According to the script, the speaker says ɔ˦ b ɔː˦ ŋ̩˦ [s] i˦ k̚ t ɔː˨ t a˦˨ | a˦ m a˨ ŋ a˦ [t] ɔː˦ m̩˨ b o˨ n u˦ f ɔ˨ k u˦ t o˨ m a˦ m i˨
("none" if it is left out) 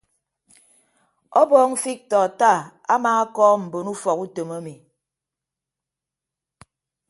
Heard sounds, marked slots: f, k

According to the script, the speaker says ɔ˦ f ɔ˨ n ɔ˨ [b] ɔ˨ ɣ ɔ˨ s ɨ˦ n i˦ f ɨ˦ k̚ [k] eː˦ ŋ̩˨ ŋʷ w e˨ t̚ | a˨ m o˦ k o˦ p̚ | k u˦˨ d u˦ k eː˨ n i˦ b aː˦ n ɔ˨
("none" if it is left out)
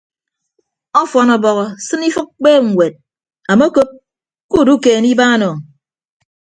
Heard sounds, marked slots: b, k͡p

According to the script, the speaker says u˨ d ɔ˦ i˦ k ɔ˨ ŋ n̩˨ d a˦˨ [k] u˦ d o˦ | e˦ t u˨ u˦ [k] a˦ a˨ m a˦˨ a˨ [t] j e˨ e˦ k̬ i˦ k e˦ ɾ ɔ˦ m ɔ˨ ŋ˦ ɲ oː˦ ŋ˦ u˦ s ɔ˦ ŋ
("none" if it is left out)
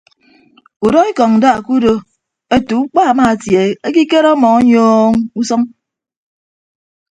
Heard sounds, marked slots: k, k͡p, t

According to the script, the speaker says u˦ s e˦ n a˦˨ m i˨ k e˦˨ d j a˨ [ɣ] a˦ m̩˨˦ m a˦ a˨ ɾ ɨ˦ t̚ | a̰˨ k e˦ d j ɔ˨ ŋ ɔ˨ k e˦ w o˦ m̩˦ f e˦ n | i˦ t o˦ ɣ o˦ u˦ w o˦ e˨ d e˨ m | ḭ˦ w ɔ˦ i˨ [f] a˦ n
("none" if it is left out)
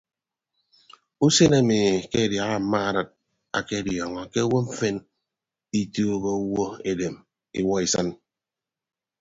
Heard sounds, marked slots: ɣ, s

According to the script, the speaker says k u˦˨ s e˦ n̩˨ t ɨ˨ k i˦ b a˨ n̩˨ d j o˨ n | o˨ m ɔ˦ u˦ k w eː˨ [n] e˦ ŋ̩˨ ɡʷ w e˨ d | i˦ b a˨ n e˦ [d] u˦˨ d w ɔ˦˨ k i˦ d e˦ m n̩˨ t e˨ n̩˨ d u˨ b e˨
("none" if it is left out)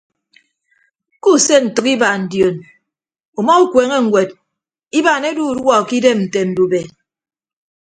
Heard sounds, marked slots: ŋ, d

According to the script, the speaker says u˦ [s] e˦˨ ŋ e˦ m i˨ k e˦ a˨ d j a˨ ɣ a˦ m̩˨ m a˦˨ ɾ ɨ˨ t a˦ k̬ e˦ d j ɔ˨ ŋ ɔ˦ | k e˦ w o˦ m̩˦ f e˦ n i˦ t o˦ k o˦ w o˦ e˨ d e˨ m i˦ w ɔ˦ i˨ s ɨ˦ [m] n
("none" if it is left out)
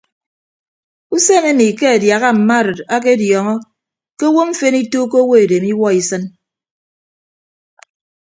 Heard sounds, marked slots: s, none

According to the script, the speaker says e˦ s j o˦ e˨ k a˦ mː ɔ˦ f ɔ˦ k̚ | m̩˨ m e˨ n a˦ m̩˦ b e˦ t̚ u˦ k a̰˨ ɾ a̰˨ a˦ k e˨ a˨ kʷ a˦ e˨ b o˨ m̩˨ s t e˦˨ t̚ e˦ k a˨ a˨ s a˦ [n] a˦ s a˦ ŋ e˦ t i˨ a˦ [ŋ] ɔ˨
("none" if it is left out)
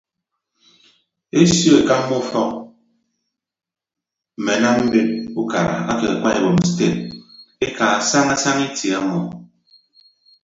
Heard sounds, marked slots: ŋ, m

